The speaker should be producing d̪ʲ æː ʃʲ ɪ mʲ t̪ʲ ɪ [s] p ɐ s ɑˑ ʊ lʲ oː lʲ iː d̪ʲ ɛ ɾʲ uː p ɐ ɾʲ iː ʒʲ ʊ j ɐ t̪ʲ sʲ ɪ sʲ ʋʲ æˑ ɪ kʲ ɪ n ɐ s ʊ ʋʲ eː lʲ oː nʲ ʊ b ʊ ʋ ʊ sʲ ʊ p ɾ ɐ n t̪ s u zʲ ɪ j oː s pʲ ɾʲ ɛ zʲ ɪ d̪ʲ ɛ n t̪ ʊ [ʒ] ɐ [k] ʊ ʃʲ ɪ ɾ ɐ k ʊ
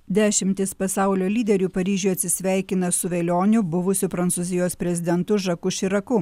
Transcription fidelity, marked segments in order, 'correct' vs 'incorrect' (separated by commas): correct, correct, correct